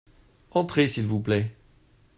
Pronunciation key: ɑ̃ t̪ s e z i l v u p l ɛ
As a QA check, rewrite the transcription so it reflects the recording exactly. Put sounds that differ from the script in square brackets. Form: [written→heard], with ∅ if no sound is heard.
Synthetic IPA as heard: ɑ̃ t̪ [s→χ] e [z→s] i l v u p l ɛ

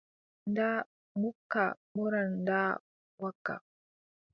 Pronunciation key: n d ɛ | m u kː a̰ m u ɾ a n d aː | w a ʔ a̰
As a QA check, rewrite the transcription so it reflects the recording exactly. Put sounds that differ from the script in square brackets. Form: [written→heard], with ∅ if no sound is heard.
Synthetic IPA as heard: n d [ɛ→a] | m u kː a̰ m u ɾ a n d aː | w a [ʔ→k] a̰

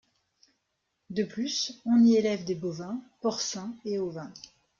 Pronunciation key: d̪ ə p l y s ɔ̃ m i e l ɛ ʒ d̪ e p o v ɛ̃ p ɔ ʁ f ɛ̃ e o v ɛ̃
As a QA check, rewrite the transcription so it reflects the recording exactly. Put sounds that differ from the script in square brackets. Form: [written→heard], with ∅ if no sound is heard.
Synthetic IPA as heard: d̪ ə p l y s ɔ̃ [m→n] i e l ɛ [ʒ→v] d̪ e [p→b] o v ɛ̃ p ɔ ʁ [f→s] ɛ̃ e o v ɛ̃

